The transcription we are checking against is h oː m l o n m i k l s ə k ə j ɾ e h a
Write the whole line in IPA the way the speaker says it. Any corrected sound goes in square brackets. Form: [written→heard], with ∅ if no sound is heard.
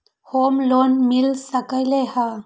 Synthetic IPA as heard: h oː m l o n m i [k→∅] l s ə k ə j [ɾ→l] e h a